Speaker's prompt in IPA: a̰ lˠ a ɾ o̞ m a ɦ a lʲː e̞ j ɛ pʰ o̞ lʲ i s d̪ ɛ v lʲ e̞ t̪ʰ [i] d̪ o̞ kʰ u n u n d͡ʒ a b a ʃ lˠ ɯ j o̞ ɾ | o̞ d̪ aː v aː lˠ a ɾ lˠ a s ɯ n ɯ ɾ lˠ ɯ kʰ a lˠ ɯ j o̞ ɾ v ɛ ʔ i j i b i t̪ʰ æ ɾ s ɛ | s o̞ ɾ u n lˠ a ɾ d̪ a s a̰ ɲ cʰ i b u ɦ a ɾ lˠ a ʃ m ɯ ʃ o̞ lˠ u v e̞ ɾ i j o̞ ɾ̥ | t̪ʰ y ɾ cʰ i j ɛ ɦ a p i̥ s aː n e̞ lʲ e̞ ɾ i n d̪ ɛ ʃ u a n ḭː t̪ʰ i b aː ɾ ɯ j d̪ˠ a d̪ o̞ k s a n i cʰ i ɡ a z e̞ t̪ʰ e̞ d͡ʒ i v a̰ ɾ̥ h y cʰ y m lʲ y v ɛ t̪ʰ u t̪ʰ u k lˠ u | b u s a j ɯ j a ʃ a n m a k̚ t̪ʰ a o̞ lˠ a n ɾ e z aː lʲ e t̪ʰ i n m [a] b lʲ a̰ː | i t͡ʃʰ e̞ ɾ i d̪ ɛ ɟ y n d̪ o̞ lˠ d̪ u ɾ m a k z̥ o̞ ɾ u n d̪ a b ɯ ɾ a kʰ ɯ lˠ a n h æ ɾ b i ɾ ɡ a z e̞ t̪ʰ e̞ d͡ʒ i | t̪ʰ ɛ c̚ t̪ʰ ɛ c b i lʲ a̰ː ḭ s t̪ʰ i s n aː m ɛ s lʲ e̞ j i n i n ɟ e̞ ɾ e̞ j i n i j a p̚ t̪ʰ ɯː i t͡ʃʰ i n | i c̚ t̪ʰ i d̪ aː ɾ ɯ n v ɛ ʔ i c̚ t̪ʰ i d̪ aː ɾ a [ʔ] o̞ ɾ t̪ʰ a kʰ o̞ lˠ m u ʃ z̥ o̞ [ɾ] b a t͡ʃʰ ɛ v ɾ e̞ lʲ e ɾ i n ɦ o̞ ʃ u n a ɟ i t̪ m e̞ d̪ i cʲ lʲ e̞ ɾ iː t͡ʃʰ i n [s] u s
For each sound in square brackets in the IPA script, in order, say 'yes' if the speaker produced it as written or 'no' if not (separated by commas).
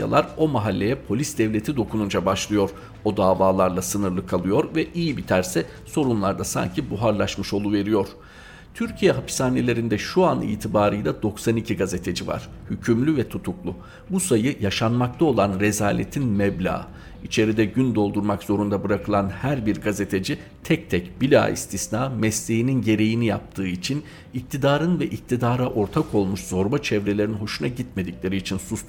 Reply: yes, no, yes, yes, yes